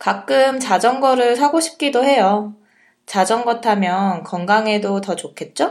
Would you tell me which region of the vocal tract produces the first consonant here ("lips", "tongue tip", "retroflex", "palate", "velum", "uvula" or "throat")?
velum